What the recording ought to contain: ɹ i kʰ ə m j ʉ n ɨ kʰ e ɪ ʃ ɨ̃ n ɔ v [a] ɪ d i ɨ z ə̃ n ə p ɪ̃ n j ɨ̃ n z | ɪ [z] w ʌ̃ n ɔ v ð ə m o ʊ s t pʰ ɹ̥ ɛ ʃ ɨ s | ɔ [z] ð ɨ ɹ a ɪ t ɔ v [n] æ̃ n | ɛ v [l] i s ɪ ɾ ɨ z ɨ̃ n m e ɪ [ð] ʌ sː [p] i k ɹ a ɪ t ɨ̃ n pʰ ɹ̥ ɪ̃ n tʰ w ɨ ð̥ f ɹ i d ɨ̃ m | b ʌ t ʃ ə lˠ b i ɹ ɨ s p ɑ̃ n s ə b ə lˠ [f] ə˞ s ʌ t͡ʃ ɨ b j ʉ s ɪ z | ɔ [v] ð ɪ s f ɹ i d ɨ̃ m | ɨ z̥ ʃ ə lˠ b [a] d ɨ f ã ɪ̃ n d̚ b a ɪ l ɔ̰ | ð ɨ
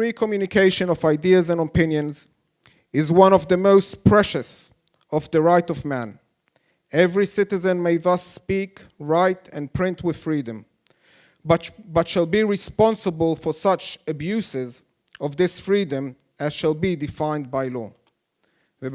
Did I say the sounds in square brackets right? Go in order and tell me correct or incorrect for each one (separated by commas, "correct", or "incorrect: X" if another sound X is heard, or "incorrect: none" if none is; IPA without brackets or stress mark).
correct, correct, incorrect: v, incorrect: m, incorrect: ɹ, correct, correct, correct, correct, incorrect: i